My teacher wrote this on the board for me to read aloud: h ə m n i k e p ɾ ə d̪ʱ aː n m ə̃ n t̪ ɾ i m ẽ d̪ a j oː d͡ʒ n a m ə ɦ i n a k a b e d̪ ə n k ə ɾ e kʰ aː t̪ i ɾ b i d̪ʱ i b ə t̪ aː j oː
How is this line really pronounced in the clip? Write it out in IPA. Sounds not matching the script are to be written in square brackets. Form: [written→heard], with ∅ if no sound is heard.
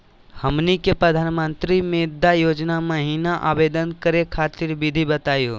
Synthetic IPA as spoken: h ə m n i k e p ɾ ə d̪ʱ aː n m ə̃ n t̪ ɾ i m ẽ d̪ a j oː d͡ʒ n a m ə ɦ i n a [k→ʔ] a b e d̪ ə n k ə ɾ e kʰ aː t̪ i ɾ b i d̪ʱ i b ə t̪ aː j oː